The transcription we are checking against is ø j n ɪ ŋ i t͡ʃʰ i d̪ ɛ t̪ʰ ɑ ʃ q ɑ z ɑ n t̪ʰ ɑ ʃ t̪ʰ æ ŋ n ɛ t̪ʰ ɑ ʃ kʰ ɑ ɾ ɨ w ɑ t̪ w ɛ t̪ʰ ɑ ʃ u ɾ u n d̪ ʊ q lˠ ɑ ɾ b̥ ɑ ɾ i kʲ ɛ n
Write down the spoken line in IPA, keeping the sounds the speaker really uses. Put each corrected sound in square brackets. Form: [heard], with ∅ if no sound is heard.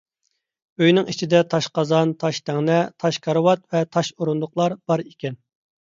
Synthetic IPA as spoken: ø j n ɪ ŋ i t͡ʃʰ i d̪ ɛ t̪ʰ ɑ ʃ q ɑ z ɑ n t̪ʰ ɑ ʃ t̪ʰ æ ŋ n ɛ t̪ʰ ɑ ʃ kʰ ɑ ɾ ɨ w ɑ t̪ [v] ɛ t̪ʰ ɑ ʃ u ɾ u n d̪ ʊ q lˠ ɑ ɾ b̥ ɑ ɾ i kʲ ɛ n